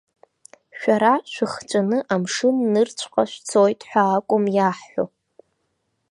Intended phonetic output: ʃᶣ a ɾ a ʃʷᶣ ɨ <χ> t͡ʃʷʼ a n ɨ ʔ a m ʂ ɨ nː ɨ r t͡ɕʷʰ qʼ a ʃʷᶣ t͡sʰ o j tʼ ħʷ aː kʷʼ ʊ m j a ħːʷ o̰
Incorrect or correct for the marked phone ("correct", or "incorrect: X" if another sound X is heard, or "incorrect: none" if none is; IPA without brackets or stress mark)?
correct